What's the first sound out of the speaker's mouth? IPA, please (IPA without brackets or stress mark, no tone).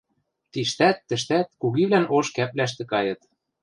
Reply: t̪